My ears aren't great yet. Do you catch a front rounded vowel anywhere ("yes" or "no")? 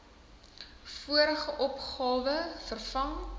no